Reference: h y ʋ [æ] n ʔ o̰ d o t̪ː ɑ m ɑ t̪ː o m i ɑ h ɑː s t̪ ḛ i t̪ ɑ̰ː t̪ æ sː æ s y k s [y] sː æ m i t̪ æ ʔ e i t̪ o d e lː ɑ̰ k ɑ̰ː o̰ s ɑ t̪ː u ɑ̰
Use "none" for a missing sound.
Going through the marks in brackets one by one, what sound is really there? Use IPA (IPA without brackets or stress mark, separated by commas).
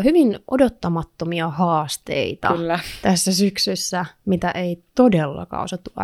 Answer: i, y